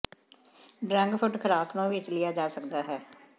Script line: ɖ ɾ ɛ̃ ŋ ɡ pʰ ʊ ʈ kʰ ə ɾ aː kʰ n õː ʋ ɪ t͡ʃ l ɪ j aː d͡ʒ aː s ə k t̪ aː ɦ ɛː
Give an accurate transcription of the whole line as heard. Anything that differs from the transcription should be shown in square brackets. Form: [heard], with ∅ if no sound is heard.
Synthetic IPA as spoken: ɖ ɾ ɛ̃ ŋ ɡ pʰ ʊ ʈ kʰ ə ɾ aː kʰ n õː ʋ ɪ t͡ʃ l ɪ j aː d͡ʒ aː s ə k [d̪] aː ɦ ɛː